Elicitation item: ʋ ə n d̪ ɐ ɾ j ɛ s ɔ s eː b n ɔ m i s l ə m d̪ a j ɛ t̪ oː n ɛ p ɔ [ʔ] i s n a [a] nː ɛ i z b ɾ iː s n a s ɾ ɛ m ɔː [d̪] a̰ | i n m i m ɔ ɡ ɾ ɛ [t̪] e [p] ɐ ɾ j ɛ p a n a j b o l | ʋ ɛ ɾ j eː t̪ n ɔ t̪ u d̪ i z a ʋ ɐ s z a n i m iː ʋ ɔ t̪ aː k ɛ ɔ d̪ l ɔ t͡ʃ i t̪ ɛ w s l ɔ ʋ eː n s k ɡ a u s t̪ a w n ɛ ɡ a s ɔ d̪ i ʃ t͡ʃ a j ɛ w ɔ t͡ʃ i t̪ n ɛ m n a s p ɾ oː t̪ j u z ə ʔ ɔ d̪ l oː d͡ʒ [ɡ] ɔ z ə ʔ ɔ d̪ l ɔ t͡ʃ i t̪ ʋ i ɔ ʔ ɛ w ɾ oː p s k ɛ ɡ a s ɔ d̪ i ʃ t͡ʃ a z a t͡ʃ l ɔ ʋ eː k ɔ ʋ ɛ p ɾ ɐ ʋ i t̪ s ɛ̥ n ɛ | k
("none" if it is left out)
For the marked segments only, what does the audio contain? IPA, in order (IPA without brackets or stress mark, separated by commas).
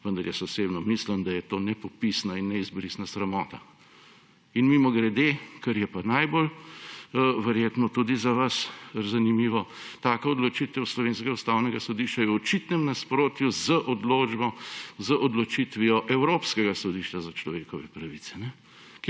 p, i, t̪, d̪, k, b